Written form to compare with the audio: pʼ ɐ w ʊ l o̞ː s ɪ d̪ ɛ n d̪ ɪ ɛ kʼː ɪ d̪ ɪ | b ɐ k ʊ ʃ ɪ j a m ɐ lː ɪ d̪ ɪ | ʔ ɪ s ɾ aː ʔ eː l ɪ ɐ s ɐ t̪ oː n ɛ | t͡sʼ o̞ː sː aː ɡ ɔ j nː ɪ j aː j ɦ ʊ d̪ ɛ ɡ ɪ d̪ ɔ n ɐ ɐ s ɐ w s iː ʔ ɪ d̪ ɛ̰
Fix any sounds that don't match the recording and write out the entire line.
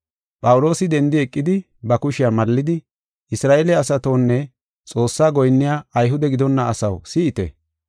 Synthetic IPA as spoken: pʼ ɐ w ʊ l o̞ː s ɪ d̪ ɛ n d̪ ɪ ɛ kʼː ɪ d̪ ɪ | b ɐ k ʊ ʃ ɪ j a m ɐ lː ɪ d̪ ɪ | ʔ ɪ s ɾ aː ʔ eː l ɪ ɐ s ɐ t̪ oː nː ɛ | t͡sʼ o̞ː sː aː ɡ ɔ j nː ɪ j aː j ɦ ʊ d̪ ɛ ɡ ɪ d̪ ɔ nː ɐ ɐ s ɐ w s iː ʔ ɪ t̪ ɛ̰